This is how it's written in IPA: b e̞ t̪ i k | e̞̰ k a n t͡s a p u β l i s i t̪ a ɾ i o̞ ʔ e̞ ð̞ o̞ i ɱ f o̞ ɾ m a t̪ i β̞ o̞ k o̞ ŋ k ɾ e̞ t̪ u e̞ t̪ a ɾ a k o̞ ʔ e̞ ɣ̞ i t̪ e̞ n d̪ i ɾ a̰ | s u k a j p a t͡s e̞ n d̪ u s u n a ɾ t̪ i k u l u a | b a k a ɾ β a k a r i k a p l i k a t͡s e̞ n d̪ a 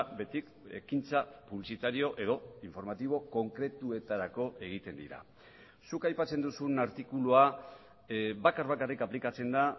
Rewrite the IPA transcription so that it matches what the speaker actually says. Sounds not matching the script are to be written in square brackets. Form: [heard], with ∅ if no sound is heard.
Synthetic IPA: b e̞ t̪ i k | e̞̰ k [i] n t͡s a p u β l i s i t̪ a ɾ i o̞ ʔ e̞ ð̞ o̞ i ɱ f o̞ ɾ m a t̪ i β̞ o̞ k o̞ ŋ k ɾ e̞ t̪ u e̞ t̪ a ɾ a k o̞ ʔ e̞ ɣ̞ i t̪ e̞ n d̪ i ɾ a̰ | s u k a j p a t͡s e̞ n d̪ u s u n a ɾ t̪ i k u l u a | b a k a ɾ β a k a r i k a p l i k a t͡s e̞ n d̪ a